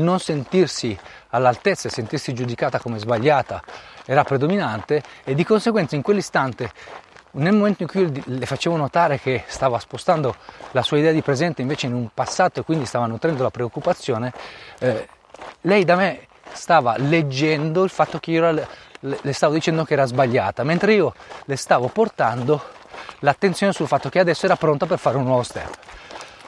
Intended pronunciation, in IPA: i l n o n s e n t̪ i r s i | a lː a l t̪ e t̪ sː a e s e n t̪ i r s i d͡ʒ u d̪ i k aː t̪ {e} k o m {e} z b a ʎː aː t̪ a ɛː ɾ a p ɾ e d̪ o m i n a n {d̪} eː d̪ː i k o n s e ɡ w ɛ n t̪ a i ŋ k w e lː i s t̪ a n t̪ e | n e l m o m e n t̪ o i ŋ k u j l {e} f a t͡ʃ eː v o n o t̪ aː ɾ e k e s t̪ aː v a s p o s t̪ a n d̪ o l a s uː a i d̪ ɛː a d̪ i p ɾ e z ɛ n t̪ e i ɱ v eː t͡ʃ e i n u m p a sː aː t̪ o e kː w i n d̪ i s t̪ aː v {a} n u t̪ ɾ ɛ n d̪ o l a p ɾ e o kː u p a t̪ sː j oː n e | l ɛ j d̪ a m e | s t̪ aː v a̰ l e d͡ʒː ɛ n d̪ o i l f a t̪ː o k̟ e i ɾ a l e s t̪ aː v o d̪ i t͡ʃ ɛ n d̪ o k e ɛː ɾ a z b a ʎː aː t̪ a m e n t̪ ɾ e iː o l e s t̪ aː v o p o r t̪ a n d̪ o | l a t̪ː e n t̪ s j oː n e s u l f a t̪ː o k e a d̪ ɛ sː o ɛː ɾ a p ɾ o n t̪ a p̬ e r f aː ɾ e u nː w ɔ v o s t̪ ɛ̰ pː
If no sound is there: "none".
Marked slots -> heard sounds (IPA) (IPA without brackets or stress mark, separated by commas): a, e, t̪, e, a